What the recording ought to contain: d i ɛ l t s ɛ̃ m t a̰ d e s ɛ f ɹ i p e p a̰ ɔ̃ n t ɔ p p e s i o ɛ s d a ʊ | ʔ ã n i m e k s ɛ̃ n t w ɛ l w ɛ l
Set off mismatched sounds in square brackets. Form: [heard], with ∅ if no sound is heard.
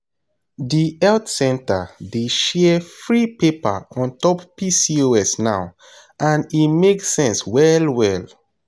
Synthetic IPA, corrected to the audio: d i ɛ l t s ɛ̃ [n] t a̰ d e [ʃ] ɛ f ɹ i p e p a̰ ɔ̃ n t ɔ p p [i] s i o ɛ s [n] a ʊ | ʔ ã n i m e k s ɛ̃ n [s] w ɛ l w ɛ l